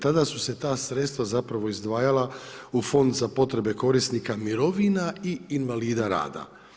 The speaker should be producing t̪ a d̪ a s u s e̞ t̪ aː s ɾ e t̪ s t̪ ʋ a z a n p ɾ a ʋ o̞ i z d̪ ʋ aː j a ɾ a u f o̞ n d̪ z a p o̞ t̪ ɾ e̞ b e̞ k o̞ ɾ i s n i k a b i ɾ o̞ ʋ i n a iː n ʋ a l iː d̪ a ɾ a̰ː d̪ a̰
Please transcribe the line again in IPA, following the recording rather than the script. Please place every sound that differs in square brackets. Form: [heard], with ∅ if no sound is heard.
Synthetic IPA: t̪ a d̪ a s u s e̞ t̪ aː s ɾ e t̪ s t̪ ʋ a z a [∅] p ɾ a ʋ o̞ i z d̪ ʋ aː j a [l] a u f o̞ n d̪ z a p o̞ t̪ ɾ e̞ b e̞ k o̞ ɾ i s n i k a [m] i ɾ o̞ ʋ i n a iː n ʋ a l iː d̪ a ɾ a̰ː d̪ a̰